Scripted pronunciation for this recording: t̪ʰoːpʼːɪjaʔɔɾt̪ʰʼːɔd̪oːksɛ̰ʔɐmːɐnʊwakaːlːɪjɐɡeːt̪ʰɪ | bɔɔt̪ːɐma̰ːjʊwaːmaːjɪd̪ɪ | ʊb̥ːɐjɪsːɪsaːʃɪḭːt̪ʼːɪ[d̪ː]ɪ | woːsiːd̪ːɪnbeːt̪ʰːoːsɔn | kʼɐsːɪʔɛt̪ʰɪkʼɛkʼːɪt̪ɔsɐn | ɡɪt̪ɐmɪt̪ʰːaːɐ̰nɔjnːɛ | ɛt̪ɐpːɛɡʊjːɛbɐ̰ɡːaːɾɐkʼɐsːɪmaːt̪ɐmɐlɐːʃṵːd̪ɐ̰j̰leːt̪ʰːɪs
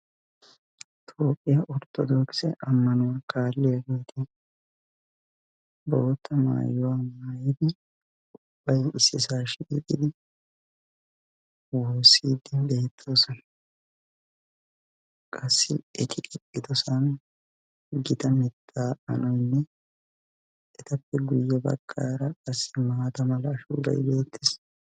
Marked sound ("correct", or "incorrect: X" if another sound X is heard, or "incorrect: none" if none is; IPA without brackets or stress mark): incorrect: d̪